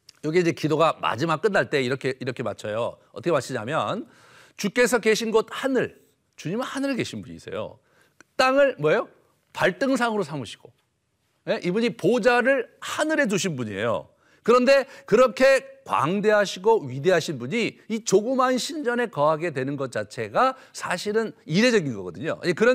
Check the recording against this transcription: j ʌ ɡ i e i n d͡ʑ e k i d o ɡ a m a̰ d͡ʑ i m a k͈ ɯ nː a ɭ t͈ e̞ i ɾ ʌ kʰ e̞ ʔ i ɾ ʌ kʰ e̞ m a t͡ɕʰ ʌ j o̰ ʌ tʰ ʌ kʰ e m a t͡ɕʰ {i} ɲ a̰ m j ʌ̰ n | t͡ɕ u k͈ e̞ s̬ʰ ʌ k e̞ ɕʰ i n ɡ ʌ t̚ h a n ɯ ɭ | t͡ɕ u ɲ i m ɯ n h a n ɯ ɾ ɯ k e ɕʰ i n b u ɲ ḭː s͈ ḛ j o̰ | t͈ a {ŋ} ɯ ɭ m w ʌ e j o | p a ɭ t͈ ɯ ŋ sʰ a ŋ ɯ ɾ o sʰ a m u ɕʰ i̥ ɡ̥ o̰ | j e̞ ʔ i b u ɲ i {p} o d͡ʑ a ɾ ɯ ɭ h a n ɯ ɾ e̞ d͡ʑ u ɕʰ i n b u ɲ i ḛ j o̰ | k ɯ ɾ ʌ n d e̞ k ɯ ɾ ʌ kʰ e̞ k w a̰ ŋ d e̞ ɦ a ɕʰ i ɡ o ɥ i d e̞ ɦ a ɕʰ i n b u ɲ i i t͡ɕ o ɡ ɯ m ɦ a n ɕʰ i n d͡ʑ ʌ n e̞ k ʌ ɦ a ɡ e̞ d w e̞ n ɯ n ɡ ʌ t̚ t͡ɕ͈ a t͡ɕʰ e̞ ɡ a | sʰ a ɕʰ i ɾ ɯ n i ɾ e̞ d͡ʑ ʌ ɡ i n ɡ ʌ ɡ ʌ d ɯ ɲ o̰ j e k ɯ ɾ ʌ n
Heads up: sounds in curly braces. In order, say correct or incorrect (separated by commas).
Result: correct, correct, correct